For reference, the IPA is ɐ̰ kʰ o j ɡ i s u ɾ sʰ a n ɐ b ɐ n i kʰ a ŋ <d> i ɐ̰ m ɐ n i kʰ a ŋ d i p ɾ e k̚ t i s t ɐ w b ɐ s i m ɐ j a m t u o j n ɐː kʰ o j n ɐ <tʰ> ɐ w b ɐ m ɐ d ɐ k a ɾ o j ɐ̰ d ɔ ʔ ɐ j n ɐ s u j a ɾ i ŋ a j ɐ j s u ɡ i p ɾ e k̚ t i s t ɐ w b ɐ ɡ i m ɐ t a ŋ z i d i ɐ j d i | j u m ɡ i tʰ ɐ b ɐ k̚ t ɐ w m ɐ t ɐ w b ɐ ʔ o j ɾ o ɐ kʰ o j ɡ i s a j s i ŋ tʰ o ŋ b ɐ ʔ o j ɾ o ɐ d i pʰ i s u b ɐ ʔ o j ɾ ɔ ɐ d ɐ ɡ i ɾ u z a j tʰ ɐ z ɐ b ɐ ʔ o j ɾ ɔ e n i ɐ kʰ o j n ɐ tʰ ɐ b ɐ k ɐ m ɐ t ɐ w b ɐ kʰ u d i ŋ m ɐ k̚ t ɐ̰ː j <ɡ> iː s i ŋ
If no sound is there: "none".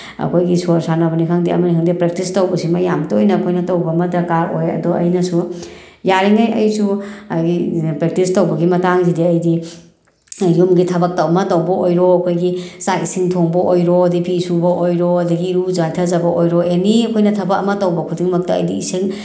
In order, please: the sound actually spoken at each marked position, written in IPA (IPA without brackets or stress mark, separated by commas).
d, t, d